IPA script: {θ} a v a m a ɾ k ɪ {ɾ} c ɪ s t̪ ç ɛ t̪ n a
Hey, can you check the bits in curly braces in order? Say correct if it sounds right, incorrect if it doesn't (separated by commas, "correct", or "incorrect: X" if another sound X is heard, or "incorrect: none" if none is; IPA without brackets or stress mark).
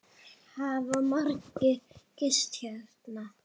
incorrect: h, incorrect: none